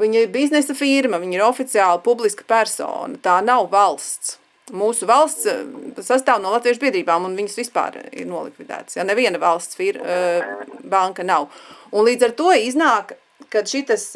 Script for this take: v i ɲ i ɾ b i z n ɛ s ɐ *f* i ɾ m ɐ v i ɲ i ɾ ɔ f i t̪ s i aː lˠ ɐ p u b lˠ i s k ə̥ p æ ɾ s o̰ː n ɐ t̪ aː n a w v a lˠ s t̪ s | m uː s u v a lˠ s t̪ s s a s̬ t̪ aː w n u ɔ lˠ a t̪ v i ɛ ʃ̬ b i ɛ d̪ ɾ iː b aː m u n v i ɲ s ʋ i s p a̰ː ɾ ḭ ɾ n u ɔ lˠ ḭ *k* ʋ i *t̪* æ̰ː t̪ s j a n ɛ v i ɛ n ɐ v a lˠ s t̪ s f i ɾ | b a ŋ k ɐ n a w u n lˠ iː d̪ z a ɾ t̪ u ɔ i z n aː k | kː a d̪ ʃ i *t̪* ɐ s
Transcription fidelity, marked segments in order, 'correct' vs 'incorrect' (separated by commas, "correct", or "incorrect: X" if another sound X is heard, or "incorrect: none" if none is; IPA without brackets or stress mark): correct, correct, incorrect: d̪, correct